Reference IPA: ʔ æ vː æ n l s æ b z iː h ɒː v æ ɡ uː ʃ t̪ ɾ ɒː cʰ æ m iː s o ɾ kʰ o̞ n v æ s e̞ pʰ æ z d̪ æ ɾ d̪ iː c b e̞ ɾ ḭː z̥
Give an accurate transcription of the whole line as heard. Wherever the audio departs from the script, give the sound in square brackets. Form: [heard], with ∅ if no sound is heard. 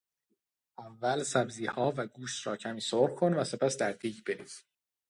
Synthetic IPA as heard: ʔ æ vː æ [∅] l s æ b z iː h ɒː v æ ɡ uː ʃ t̪ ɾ ɒː cʰ æ m iː s o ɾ kʰ o̞ n v æ s e̞ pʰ æ [s] d̪ æ ɾ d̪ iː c b e̞ ɾ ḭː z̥